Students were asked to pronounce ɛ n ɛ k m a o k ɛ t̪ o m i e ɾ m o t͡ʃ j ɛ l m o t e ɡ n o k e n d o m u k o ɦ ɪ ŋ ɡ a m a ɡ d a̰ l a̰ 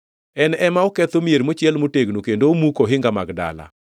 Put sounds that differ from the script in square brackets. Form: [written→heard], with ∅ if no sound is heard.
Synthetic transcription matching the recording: ɛ n ɛ [k→∅] m a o k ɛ t̪ o m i e ɾ m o t͡ʃ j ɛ l m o t e ɡ n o k e n d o m u k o ɦ ɪ ŋ ɡ a m a ɡ d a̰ l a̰